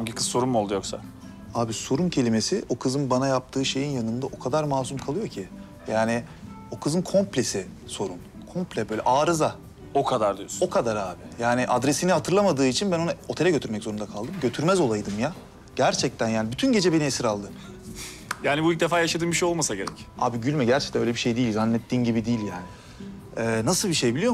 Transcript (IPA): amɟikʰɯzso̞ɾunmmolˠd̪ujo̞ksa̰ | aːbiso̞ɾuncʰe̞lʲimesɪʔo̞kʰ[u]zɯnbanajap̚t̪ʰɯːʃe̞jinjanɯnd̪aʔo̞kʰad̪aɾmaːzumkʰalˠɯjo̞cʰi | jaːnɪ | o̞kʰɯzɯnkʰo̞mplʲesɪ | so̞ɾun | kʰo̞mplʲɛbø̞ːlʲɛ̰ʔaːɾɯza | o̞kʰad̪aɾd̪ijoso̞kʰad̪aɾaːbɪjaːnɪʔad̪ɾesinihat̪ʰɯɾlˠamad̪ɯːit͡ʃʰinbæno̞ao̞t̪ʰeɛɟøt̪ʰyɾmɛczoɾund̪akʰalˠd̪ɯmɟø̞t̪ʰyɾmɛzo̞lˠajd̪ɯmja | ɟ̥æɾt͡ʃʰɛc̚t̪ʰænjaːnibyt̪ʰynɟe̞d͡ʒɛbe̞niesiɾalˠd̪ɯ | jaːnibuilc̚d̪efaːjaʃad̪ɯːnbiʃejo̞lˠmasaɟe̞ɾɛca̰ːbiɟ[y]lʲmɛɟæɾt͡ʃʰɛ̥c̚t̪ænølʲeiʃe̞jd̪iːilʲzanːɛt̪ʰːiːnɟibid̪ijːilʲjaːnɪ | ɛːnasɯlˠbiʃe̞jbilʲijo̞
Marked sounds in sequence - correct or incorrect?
incorrect, correct

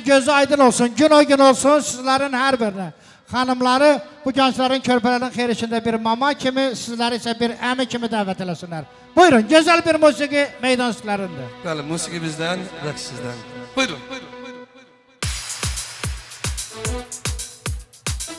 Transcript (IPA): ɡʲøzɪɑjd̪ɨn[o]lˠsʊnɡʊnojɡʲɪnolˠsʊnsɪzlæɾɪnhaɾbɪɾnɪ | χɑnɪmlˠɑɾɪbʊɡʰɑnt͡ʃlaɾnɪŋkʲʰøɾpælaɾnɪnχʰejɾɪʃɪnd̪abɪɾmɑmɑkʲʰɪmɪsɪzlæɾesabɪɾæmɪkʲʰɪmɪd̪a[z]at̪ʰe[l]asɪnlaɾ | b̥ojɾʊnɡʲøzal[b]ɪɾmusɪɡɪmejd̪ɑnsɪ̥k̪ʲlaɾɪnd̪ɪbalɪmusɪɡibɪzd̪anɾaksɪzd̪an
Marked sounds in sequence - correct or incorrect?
correct, incorrect, correct, correct

